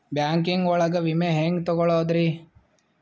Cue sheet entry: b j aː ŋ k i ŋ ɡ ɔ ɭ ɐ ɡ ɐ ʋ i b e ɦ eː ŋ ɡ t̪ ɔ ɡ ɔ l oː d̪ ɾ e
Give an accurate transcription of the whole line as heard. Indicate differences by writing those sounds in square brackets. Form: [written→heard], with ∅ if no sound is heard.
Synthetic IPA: b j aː ŋ k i ŋ ɡ ɔ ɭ ɐ ɡ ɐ ʋ i [b→m] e ɦ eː ŋ ɡ t̪ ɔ ɡ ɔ [l→ɭ] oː d̪ ɾ [e→i]